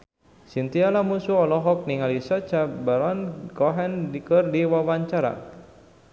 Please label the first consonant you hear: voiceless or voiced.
voiceless